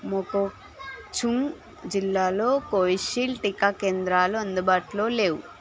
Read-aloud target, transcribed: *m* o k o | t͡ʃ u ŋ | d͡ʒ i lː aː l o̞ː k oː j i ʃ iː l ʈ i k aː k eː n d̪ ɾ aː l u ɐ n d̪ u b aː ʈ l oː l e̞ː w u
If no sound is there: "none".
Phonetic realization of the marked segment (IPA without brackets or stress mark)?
m